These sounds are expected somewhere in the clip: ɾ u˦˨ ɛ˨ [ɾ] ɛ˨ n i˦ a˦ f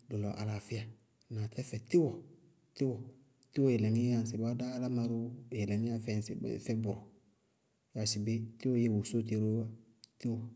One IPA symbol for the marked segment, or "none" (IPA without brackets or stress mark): l